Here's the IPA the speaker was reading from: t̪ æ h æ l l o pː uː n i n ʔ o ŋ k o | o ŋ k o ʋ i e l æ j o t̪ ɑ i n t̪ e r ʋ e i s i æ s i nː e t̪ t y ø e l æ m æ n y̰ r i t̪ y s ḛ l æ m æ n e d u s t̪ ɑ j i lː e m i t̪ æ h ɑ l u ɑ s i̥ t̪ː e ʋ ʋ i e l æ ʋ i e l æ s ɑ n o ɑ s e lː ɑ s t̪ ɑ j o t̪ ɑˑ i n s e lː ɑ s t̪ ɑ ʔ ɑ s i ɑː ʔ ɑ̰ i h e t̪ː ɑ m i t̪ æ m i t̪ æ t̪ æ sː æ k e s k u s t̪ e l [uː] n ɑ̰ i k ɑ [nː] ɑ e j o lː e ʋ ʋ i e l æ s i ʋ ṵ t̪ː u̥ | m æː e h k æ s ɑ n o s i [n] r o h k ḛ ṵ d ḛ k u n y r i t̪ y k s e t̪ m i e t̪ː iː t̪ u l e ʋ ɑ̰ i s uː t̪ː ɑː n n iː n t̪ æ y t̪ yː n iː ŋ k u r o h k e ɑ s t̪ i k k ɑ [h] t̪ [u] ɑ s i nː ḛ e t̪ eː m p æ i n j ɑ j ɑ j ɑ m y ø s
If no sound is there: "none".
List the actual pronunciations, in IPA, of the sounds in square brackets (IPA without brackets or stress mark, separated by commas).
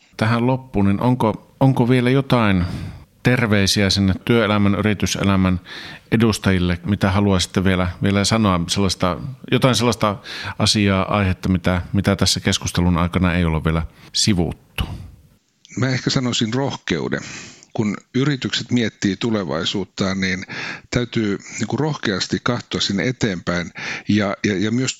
u, n, n, h, o